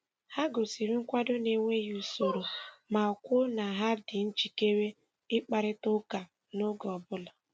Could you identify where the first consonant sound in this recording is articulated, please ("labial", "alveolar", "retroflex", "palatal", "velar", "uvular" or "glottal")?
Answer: glottal